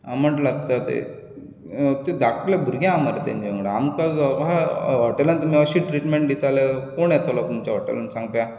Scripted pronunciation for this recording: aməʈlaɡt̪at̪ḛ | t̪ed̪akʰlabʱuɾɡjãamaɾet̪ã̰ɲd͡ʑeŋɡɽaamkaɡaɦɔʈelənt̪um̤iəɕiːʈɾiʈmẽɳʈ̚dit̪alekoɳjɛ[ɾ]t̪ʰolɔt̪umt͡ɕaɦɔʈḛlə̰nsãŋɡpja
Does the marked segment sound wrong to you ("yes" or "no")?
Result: yes